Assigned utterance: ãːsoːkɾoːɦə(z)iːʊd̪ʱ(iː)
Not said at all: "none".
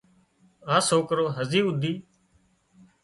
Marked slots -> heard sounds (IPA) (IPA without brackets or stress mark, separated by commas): z, iː